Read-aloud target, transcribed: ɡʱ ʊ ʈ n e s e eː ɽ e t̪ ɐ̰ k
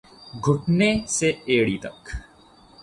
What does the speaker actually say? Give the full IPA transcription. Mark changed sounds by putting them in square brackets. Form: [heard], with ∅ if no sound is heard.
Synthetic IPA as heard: ɡʱ ʊ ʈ n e s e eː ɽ [i] t̪ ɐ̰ k